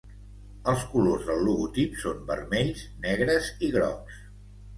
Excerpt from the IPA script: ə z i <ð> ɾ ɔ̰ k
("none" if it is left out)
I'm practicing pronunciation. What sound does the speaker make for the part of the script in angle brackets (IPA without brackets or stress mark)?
ɣ